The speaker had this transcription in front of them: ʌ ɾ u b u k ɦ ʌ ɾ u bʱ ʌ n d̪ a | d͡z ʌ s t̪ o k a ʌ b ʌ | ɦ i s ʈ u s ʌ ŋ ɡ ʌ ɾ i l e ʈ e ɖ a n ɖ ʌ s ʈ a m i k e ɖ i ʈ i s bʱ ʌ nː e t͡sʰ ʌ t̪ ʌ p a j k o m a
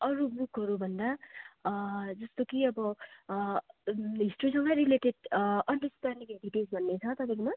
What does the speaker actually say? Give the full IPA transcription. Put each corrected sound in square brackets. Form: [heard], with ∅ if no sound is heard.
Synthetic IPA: ʌ ɾ u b u k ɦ ʌ ɾ u bʱ ʌ n d̪ a | d͡z ʌ s t̪ o k [i] ʌ b ʌ | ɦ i s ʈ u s ʌ ŋ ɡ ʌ ɾ i l e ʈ e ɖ [ʌ] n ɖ ʌ s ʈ a [n] i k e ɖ i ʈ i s bʱ ʌ nː e t͡sʰ ʌ t̪ ʌ p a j k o m a